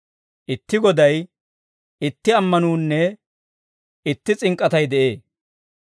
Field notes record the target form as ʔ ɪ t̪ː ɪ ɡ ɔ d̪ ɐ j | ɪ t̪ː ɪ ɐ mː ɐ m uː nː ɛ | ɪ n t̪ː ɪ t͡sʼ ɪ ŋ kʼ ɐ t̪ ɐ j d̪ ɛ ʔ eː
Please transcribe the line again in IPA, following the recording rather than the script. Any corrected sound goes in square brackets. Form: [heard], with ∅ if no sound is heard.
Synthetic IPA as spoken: ʔ ɪ t̪ː ɪ ɡ ɔ d̪ ɐ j | ɪ t̪ː ɪ ɐ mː ɐ [n] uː nː ɛ | ɪ [∅] t̪ː ɪ t͡sʼ ɪ ŋ kʼ ɐ t̪ ɐ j d̪ ɛ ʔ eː